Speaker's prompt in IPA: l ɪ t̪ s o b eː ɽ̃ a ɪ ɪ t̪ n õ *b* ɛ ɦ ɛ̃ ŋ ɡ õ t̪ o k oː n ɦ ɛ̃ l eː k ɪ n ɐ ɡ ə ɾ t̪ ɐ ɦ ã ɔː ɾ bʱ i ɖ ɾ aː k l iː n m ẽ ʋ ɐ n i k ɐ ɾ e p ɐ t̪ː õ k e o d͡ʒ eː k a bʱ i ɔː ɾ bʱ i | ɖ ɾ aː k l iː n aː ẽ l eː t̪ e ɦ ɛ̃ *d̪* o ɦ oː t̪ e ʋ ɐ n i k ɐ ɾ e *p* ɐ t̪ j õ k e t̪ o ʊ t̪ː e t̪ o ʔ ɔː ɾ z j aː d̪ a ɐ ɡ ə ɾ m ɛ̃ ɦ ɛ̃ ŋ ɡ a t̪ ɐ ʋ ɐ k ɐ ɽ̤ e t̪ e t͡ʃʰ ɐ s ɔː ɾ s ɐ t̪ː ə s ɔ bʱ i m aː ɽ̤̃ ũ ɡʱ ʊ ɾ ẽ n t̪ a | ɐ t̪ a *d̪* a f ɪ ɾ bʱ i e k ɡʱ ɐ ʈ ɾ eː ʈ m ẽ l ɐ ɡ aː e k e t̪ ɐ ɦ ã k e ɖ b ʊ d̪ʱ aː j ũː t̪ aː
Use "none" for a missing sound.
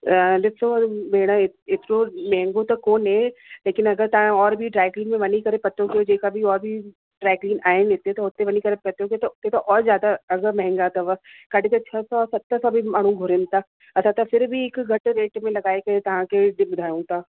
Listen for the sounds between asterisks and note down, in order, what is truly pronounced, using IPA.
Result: m, t̪, p, t̪

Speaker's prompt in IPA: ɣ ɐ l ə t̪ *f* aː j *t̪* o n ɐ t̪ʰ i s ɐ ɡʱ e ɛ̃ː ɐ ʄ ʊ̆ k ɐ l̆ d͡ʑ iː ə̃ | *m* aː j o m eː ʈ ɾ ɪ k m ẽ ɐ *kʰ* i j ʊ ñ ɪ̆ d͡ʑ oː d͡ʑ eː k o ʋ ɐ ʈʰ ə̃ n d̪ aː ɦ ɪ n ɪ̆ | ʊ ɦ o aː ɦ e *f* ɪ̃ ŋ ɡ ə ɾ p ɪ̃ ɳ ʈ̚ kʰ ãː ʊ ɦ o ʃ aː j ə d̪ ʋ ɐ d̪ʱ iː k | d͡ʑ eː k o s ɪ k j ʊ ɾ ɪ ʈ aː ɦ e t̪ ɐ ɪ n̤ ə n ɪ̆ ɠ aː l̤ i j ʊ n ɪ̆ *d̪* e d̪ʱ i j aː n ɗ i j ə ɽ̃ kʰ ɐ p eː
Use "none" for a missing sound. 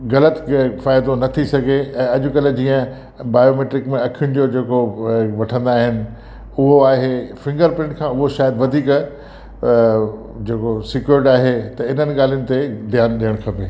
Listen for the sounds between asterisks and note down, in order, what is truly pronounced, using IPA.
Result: f, d̪, b, kʰ, f, t̪

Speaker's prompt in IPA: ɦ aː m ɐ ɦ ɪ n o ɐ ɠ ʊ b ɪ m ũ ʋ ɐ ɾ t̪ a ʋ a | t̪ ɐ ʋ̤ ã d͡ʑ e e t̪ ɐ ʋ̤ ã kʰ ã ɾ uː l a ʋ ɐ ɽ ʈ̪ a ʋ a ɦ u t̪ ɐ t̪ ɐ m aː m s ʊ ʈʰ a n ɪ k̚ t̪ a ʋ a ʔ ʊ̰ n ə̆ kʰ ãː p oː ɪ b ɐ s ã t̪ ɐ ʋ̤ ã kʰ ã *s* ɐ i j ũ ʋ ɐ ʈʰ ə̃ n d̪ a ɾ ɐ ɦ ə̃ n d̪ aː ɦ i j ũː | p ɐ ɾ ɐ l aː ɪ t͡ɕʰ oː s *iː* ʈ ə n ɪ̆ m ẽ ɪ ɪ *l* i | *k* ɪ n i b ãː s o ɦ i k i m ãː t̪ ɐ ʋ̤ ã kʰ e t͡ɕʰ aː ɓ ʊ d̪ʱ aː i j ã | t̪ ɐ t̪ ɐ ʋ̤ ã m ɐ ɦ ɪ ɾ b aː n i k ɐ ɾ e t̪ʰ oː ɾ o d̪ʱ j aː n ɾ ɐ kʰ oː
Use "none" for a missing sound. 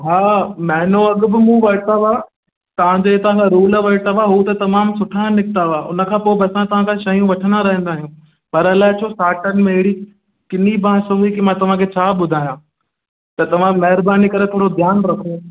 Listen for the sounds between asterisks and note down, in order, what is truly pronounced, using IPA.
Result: ʃ, aː, ɽ, k

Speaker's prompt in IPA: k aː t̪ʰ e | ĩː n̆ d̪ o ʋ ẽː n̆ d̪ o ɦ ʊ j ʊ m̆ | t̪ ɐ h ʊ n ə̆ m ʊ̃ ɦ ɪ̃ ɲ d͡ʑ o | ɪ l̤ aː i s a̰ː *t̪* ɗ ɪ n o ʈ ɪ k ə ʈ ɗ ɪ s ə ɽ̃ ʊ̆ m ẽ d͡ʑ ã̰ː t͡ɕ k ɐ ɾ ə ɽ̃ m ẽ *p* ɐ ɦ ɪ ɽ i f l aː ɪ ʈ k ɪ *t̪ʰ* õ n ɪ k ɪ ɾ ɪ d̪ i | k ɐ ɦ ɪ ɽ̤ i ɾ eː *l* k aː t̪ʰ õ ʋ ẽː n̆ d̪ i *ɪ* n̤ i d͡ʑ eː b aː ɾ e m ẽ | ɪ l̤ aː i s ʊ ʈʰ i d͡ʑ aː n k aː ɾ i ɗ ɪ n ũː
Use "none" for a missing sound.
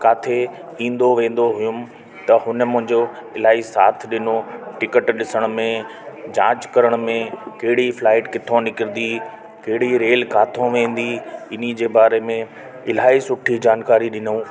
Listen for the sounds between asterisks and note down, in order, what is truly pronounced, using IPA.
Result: t̪ʰ, k, t̪ʰ, l, ɪ

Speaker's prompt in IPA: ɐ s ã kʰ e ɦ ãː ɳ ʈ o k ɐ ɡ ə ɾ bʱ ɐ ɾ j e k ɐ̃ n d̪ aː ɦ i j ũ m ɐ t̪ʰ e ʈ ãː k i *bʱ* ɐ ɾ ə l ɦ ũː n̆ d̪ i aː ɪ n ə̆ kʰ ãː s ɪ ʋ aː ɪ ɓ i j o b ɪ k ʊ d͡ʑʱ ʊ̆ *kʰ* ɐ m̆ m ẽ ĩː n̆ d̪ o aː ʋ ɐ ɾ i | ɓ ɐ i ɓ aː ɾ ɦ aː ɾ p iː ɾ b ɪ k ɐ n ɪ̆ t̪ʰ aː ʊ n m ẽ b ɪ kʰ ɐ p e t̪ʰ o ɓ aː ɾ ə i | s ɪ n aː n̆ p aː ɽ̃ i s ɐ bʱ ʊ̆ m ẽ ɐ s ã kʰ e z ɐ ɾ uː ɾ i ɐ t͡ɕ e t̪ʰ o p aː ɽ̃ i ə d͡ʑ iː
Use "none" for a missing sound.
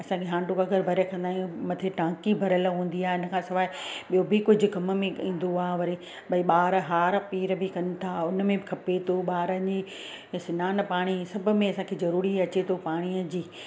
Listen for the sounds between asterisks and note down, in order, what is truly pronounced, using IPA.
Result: bʱ, k

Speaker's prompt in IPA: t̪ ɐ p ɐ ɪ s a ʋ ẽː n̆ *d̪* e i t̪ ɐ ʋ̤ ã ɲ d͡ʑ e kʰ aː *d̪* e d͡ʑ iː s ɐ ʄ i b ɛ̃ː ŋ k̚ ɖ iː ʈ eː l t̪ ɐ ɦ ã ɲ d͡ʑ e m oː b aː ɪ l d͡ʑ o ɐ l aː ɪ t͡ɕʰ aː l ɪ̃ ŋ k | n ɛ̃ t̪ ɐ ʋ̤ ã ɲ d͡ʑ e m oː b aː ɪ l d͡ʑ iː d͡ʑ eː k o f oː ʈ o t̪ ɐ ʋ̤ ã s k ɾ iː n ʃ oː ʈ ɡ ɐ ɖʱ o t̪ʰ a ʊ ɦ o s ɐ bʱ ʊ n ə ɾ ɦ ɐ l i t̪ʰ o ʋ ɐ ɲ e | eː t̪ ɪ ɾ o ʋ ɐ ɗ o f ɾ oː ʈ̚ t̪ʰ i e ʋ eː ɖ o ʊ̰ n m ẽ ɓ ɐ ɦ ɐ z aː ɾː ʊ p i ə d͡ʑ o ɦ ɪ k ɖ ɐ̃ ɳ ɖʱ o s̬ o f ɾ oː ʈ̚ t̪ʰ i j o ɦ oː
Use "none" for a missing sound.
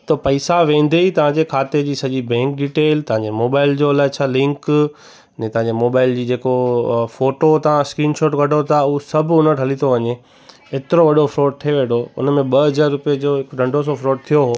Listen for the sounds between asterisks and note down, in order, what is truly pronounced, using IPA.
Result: d̪, t̪

